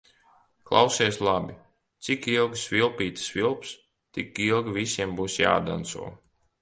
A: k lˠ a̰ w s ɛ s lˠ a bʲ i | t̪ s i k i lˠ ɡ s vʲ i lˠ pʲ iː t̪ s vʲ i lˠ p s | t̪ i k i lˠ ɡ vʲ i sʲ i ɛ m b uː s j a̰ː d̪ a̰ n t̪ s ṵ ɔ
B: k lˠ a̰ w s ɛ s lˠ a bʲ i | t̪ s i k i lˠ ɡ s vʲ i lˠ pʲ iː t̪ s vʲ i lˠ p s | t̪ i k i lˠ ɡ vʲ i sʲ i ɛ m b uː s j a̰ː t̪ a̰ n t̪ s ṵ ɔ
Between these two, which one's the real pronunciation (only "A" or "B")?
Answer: A